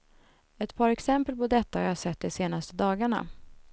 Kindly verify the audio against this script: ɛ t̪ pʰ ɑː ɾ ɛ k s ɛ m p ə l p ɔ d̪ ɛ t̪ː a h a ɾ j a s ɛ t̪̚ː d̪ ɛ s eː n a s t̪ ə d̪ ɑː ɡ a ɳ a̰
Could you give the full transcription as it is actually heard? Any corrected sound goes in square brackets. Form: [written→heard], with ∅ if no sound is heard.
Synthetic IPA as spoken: ɛ t̪ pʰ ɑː ɾ ɛ k s ɛ m p ə l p ɔ d̪ ɛ t̪ː a h a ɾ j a s ɛ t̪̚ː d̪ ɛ s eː n a s t̪ ə d̪ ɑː ɡ a ɳ a̰